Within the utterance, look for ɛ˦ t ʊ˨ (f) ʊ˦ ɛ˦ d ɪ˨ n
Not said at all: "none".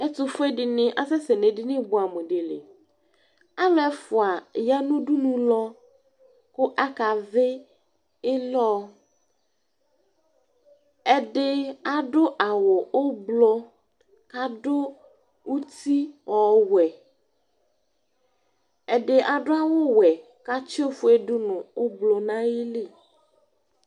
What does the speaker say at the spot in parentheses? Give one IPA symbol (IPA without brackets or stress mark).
f